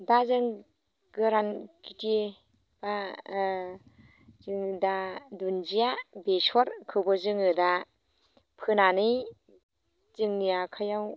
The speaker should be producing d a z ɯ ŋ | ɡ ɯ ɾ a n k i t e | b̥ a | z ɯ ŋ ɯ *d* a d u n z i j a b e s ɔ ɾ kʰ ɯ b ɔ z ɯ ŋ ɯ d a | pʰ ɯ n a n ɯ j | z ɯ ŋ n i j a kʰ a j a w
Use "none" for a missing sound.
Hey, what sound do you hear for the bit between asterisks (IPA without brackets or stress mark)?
d